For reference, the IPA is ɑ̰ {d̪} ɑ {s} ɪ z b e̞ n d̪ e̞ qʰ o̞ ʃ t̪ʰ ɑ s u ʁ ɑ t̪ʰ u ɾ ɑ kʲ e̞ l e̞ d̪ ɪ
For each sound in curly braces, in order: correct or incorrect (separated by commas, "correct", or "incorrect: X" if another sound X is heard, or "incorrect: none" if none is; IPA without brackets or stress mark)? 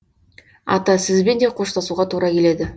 incorrect: t̪, correct